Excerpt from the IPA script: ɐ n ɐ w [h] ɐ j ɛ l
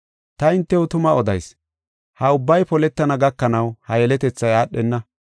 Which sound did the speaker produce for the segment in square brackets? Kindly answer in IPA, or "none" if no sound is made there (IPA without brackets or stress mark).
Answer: h